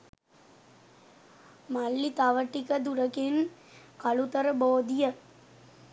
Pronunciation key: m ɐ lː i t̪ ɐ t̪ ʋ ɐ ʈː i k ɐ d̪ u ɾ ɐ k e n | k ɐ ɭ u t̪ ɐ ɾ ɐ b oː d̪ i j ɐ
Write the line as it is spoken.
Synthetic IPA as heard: m ɐ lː i t̪ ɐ ʋ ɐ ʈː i k ɐ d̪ u ɾ ɐ k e n | k ɐ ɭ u t̪ ɐ ɾ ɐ b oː d̪ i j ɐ